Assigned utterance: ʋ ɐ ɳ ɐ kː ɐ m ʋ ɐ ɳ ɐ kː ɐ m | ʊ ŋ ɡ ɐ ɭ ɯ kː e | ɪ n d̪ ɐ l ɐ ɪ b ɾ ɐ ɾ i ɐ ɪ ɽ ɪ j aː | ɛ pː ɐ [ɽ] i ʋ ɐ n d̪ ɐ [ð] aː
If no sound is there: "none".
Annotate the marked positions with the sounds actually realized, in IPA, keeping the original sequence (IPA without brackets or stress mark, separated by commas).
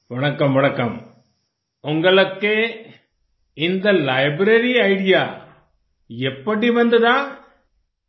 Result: ɽ, ð